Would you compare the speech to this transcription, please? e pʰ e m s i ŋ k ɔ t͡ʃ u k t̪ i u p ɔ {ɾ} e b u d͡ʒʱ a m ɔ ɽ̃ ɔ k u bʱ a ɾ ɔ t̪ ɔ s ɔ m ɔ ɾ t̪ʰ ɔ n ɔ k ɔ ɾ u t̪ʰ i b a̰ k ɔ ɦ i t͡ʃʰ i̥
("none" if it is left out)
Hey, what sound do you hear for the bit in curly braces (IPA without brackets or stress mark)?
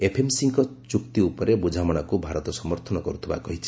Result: ɾ